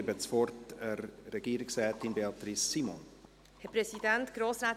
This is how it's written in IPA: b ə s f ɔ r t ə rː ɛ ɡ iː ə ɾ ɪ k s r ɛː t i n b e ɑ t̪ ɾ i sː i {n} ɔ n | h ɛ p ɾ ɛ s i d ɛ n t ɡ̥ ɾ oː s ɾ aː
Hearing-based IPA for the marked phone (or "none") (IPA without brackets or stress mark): m